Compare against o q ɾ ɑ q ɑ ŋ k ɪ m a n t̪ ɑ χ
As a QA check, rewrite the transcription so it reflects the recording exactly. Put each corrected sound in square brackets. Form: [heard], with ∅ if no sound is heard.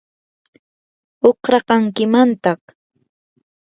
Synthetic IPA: o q ɾ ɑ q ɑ ŋ k ɪ m a n t̪ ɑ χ

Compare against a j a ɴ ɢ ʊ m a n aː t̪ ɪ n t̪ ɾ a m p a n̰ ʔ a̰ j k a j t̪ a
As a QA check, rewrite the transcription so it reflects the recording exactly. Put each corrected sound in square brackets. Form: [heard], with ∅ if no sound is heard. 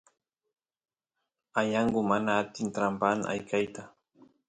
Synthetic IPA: a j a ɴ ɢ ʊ m a n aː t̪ ɪ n t̪ ɾ a m p a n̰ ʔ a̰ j k a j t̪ a

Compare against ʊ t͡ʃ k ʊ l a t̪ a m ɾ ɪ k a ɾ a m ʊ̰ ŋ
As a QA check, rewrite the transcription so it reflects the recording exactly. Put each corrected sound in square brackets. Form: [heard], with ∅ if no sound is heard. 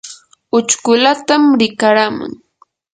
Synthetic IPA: ʊ t͡ʃ k ʊ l a t̪ a m ɾ ɪ k a ɾ a m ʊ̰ ŋ

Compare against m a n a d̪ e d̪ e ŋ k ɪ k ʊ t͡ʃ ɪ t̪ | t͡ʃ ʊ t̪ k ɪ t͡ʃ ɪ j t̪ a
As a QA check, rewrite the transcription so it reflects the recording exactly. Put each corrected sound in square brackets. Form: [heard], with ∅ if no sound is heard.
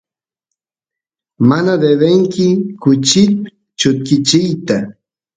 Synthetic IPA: m a n a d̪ e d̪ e ŋ k ɪ k ʊ t͡ʃ ɪ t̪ | t͡ʃ ʊ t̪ k ɪ t͡ʃ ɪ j t̪ a

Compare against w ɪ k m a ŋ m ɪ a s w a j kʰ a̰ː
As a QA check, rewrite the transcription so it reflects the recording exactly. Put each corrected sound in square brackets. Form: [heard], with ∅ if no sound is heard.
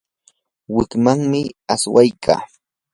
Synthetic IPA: w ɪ k m a ŋ m ɪ a s w a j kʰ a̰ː

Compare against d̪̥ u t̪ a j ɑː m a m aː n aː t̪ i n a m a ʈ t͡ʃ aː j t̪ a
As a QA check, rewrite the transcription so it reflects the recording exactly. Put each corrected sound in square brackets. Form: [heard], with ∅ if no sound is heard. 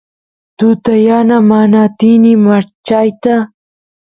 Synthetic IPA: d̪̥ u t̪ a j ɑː [n] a m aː n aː t̪ i n [i] m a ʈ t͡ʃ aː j t̪ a

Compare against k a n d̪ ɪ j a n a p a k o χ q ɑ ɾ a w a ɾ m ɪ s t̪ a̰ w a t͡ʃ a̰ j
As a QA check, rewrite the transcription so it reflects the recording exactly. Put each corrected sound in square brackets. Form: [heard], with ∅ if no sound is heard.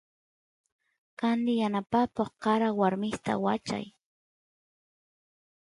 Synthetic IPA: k a n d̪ ɪ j a n a p a k o χ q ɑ ɾ a w a ɾ m ɪ s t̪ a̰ w a t͡ʃ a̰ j

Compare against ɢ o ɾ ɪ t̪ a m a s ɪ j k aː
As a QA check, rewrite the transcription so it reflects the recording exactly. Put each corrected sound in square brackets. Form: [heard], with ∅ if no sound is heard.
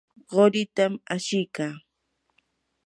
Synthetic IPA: ɢ o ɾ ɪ t̪ a m a [ʃ] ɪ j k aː

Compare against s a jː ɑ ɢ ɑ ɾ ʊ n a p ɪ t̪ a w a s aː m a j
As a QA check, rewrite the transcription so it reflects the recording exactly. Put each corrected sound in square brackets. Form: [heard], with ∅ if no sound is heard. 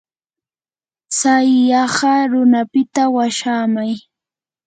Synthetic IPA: s a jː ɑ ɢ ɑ ɾ ʊ n a p ɪ t̪ a w a [ʃ] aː m a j

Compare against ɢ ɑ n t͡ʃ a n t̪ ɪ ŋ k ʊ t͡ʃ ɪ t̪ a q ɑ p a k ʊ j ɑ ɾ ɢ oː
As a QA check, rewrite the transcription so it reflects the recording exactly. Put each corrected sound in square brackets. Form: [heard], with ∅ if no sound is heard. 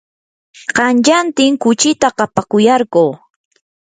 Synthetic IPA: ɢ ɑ n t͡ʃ a n t̪ ɪ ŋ k ʊ t͡ʃ ɪ t̪ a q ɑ p a k ʊ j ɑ ɾ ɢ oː

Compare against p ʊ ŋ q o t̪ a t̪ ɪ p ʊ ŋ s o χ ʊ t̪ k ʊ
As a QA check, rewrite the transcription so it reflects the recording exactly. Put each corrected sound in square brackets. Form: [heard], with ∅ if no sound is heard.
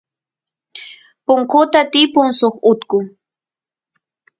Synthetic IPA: p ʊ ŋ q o t̪ a t̪ ɪ p ʊ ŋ s o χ ʊ t̪ k ʊ

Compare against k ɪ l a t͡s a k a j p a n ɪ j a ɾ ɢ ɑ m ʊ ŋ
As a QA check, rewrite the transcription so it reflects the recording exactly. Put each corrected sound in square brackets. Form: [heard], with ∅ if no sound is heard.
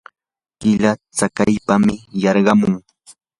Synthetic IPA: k ɪ l a t͡s a k a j p a [m] ɪ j [ɑ] ɾ ɢ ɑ m ʊ ŋ

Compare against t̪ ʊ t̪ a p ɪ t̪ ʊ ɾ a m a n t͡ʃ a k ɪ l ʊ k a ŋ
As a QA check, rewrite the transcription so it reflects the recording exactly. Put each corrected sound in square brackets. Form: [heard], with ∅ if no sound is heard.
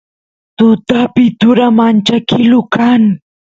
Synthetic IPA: t̪ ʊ t̪ a p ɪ t̪ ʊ ɾ a m a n t͡ʃ a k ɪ l ʊ k a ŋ

